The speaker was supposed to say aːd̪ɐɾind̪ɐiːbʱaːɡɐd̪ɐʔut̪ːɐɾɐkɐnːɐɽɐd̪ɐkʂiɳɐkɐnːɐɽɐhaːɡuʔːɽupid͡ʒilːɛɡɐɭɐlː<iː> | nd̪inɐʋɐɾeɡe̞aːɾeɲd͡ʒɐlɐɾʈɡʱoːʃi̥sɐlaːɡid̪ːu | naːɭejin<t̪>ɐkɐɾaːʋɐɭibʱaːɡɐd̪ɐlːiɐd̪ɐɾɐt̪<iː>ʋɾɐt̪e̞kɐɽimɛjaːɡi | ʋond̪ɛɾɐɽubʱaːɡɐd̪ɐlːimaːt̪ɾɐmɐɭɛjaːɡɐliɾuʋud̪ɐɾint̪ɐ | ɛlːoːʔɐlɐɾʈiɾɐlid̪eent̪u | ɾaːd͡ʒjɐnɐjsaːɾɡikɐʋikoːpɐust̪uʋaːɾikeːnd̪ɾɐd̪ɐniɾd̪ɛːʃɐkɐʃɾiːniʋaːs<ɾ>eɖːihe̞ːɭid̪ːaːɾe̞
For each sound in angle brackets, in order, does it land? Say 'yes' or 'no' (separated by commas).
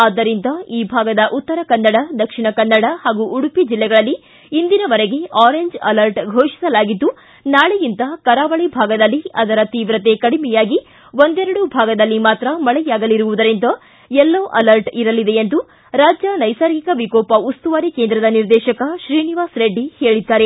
yes, yes, yes, yes